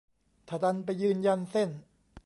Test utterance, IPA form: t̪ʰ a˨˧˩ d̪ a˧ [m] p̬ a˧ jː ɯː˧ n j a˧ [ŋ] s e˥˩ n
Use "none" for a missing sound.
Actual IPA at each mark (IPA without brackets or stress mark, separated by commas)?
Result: n, n